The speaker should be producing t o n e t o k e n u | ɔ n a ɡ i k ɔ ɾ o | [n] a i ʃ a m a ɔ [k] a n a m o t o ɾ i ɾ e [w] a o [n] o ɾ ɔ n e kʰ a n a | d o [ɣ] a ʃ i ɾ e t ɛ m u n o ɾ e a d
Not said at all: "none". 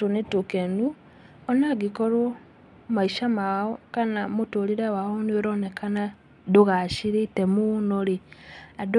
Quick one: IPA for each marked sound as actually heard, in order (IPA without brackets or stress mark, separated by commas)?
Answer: m, k, w, n, ɣ